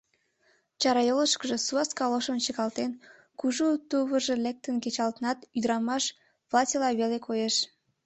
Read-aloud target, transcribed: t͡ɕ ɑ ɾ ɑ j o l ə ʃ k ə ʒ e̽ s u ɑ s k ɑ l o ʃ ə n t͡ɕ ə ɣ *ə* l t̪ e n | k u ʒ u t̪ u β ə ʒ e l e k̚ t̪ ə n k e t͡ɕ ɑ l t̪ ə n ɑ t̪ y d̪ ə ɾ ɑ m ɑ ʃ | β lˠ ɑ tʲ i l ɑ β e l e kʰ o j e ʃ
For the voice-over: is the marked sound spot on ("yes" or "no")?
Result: no